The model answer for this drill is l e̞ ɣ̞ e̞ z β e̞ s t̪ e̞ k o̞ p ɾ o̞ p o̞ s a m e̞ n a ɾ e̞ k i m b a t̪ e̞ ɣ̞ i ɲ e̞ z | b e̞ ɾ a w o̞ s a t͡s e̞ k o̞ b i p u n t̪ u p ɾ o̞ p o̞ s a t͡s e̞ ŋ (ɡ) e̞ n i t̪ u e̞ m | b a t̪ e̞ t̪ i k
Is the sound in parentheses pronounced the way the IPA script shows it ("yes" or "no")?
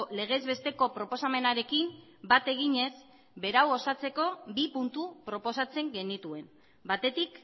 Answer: yes